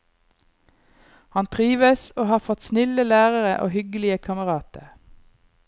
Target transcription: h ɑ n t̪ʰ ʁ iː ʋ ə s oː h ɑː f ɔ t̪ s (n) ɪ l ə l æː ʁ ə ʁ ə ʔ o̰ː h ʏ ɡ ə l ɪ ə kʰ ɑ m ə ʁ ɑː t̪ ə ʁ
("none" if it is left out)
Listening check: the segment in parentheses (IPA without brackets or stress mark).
n